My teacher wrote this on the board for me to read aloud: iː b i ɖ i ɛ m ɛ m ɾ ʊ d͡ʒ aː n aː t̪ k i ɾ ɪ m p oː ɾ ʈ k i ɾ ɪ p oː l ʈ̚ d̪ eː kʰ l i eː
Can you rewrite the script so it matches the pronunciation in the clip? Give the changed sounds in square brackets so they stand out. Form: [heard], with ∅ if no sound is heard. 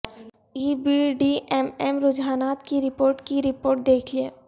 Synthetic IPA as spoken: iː b i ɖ i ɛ m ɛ m ɾ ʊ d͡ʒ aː n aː t̪ k i ɾ ɪ [∅] p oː ɾ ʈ k i ɾ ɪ p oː [ɾ] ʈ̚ d̪ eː kʰ l i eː